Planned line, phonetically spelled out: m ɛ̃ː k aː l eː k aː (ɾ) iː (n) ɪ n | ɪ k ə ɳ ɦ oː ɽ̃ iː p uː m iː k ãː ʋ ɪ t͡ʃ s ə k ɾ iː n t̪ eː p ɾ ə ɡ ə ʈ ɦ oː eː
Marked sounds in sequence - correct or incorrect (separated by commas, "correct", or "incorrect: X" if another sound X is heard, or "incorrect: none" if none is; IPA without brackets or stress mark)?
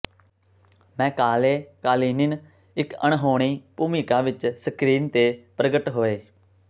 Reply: incorrect: l, correct